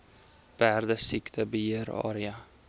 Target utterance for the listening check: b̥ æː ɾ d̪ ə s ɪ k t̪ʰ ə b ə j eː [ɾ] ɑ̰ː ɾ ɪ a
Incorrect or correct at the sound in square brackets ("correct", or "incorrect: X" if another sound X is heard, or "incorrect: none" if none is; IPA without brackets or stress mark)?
correct